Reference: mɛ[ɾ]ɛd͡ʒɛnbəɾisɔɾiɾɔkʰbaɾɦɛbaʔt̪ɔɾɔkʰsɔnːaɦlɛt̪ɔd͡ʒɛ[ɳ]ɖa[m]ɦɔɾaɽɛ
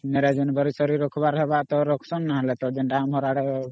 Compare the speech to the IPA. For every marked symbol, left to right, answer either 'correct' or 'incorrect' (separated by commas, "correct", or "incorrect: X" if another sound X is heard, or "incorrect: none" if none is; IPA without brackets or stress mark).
correct, incorrect: n, correct